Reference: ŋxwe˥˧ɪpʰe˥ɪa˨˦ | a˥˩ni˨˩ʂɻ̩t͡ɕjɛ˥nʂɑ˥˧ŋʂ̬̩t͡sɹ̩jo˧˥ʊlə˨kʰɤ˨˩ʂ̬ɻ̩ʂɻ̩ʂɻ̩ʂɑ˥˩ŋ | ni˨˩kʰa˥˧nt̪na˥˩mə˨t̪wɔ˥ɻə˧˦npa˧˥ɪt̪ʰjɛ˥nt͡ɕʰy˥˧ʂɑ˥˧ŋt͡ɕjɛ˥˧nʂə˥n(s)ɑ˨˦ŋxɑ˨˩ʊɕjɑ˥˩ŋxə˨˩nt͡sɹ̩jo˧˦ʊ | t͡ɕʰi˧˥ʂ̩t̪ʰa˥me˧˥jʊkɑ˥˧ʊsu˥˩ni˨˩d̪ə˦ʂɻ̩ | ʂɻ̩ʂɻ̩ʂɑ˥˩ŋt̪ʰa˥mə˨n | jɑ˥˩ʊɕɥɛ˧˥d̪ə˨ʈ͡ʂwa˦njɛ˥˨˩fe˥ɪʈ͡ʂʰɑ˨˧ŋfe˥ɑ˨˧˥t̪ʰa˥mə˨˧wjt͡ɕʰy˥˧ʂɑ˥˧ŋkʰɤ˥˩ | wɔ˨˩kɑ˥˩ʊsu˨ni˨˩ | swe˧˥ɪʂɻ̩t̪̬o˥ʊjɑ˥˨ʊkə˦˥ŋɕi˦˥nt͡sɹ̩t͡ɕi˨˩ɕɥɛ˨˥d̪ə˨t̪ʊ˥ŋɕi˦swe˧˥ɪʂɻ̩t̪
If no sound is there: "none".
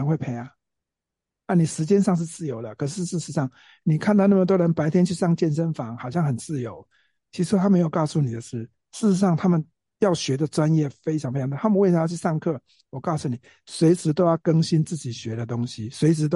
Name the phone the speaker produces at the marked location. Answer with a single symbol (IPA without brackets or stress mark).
f